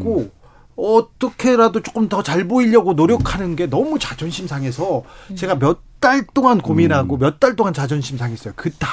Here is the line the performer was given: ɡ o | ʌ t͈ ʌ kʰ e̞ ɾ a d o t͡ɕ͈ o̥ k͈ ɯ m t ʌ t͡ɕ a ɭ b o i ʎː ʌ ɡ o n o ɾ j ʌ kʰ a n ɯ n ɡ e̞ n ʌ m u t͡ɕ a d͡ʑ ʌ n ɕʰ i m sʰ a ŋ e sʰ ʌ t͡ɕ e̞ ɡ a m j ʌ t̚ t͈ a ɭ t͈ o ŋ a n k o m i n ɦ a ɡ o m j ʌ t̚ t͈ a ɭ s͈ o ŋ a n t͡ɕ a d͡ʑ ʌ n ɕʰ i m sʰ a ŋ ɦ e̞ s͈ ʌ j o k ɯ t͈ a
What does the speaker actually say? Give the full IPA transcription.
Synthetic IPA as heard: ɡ o | ʌ t͈ ʌ kʰ e̞ ɾ a d o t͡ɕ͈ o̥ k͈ ɯ m t ʌ t͡ɕ a ɭ b o i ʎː ʌ ɡ o n o ɾ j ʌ kʰ a n ɯ n ɡ e̞ n ʌ m u t͡ɕ a d͡ʑ ʌ n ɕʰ i m sʰ a ŋ e sʰ ʌ t͡ɕ e̞ ɡ a m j ʌ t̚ t͈ a ɭ t͈ o ŋ a n k o m i n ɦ a ɡ o m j ʌ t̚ t͈ a ɭ t͈ o ŋ a n t͡ɕ a d͡ʑ ʌ n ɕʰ i m sʰ a ŋ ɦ e̞ s͈ ʌ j o k ɯ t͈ a